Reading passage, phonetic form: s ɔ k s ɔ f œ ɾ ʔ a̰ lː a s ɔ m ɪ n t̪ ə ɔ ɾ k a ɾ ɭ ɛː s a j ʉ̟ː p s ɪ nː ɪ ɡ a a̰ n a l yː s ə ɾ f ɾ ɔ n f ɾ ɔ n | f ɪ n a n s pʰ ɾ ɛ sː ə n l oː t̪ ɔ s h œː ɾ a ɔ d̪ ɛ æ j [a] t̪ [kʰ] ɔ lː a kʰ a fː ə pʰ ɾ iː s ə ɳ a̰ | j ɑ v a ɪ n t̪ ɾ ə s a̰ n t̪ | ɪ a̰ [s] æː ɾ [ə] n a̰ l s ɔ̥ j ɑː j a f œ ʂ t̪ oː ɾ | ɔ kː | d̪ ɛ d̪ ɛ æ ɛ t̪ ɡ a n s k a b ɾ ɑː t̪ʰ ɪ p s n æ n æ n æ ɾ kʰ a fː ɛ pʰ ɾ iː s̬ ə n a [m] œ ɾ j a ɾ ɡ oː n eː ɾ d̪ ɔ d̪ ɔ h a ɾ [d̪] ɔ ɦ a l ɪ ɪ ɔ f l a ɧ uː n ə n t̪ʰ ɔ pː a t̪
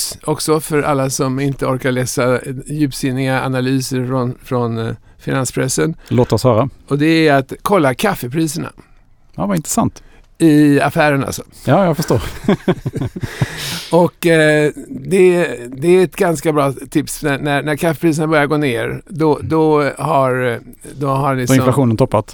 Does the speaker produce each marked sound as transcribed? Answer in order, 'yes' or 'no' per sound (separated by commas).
yes, yes, no, yes, no, yes